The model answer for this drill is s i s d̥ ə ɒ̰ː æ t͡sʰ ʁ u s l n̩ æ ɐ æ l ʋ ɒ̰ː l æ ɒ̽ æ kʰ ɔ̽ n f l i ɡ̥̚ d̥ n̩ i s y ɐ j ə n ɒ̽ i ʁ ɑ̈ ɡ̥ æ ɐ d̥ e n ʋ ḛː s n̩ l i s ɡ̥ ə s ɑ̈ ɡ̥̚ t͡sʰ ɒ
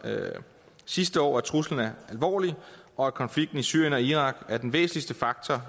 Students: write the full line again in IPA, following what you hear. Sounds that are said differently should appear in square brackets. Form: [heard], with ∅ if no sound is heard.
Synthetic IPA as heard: s i s d̥ ə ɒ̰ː æ t͡sʰ ʁ u s l n̩ æ ɐ æ l ʋ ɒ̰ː l [i] ɒ̽ æ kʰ [ɒ̽] n f l i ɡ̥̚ d̥ n̩ i s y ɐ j ə n ɒ̽ i ʁ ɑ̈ ɡ̥ æ ɐ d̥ e n ʋ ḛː s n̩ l i s [d̥] ə [f] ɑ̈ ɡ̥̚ t͡sʰ ɒ

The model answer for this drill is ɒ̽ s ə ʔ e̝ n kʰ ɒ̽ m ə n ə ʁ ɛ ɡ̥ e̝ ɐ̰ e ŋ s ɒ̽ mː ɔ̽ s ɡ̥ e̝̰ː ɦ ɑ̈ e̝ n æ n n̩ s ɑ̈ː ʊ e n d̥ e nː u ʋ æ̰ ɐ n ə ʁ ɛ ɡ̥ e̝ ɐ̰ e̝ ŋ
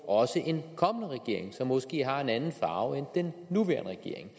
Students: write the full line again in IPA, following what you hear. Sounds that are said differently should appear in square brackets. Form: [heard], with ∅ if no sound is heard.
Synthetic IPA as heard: ɒ̽ s ə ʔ e̝ n kʰ ɒ̽ m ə n ə ʁ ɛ ɡ̥ e̝ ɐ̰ e ŋ s ɒ̽ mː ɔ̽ s ɡ̥ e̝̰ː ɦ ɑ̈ e̝ n æ n n̩ [f] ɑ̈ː ʊ e n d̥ e nː u ʋ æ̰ ɐ n ə ʁ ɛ ɡ̥ e̝ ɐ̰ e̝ ŋ

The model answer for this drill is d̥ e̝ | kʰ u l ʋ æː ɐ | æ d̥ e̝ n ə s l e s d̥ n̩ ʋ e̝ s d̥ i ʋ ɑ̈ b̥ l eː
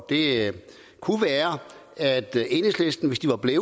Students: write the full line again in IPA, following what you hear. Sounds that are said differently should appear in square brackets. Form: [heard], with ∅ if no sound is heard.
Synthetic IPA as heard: d̥ e̝ | kʰ u [∅] ʋ æː ɐ | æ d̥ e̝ n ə s l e s d̥ n̩ ʋ e̝ s d̥ i ʋ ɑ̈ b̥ l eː

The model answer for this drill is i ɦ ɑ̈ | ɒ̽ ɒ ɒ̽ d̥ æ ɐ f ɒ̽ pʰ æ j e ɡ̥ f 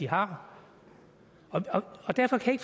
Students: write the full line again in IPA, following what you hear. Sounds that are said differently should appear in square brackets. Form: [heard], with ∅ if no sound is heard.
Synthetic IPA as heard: i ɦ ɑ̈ | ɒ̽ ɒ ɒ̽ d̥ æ ɐ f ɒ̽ [kʰ] æ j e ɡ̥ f

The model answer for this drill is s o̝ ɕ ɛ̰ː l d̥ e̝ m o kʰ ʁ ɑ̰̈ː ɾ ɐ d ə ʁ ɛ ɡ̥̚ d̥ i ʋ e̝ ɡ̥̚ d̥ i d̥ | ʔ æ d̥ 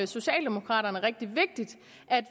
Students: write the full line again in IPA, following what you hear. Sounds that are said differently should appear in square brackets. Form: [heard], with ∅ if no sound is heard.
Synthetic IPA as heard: s o̝ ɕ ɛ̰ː l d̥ e̝ m o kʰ ʁ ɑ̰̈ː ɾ ɐ [n] ə ʁ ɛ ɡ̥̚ d̥ i ʋ e̝ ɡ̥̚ d̥ i d̥ | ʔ æ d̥

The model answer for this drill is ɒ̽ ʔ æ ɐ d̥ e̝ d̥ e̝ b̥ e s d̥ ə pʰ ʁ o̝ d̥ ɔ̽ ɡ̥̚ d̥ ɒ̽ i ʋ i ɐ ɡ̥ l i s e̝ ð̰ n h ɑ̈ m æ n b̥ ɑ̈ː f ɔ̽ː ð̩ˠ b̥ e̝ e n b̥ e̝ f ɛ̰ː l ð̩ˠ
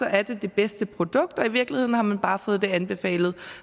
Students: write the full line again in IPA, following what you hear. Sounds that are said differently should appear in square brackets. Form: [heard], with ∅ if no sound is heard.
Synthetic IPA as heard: ɒ̽ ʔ æ ɐ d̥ e̝ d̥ e̝ b̥ e s d̥ ə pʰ ʁ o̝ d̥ ɔ̽ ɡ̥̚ d̥ ɒ̽ i ʋ i ɐ ɡ̥ l i [h] e̝ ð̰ n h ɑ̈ m æ n b̥ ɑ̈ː f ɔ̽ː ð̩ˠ [d̥] e̝ [æ] n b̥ e̝ f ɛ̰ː l ð̩ˠ

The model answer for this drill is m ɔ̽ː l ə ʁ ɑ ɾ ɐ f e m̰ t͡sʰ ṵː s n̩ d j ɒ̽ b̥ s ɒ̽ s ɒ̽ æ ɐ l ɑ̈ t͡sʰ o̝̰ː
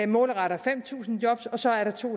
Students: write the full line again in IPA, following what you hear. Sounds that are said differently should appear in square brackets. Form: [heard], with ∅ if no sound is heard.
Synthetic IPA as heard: m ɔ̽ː l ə ʁ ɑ ɾ ɐ f e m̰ t͡sʰ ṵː s n̩ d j ɒ̽ b̥ s ɒ̽ s ɒ̽ æ ɐ [ɾ] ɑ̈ t͡sʰ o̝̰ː

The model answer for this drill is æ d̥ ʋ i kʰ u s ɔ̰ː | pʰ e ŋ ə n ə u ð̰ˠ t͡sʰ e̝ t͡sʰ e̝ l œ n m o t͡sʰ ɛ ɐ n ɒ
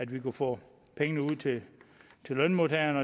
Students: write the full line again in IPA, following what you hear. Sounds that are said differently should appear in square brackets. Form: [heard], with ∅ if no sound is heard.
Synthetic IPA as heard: æ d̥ ʋ i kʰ u [f] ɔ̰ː | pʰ e ŋ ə n ə u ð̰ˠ t͡sʰ e̝ t͡sʰ e̝ l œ n m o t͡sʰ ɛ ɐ n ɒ

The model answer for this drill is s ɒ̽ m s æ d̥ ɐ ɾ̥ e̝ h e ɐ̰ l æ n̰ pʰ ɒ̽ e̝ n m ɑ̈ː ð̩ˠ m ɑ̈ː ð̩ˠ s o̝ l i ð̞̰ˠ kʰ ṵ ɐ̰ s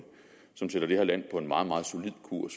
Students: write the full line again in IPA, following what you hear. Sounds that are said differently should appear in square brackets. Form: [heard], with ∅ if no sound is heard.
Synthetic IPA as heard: s ɒ̽ m s [e] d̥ ɐ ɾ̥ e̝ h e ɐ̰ l æ n̰ pʰ ɒ̽ e̝ n m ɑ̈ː ð̩ˠ m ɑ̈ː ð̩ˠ s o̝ l i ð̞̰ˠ kʰ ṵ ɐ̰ s

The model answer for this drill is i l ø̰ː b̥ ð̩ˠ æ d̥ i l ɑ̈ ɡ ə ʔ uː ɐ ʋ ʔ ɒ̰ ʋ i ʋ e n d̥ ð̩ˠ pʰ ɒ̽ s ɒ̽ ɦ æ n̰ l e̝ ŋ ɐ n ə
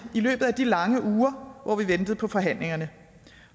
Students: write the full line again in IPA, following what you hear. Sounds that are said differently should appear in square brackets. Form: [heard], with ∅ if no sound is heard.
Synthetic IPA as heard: i l ø̰ː b̥ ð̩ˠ æ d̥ i l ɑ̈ [ŋ] ə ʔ uː ɐ ʋ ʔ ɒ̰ ʋ i ʋ e n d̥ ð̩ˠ pʰ ɒ̽ [f] ɒ̽ ɦ æ n̰ l e̝ ŋ ɐ n ə

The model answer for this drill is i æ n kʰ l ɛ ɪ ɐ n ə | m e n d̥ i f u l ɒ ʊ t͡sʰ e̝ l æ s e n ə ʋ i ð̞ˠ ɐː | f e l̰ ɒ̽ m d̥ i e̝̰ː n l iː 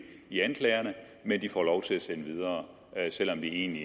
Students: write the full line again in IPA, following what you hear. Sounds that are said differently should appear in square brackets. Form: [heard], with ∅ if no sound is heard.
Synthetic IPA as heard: i æ n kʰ l ɛ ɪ ɐ n ə | m e n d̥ i f [ɒ] l ɒ ʊ t͡sʰ e̝ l æ s e n ə ʋ i ð̞ˠ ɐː | [s] e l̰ ɒ̽ m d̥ i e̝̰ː n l [i]

